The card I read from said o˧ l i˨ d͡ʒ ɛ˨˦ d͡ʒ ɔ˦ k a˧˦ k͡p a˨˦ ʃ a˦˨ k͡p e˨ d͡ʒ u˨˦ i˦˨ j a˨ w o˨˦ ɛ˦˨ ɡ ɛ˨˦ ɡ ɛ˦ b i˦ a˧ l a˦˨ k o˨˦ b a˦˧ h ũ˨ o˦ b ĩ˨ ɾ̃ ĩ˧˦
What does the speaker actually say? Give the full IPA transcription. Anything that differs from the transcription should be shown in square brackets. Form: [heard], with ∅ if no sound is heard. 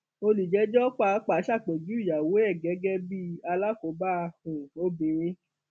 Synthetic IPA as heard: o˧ l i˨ d͡ʒ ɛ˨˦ d͡ʒ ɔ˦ [k͡p] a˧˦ k͡p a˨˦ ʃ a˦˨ k͡p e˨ d͡ʒ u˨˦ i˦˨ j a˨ w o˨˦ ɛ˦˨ ɡ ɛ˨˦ ɡ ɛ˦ b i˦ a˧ l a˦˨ k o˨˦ b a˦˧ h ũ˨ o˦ b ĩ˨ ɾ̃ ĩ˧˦